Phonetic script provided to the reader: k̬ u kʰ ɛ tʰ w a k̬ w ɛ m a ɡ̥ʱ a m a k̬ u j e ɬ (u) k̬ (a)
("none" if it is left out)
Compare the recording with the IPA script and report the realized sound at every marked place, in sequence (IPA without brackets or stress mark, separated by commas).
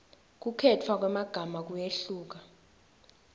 uː, a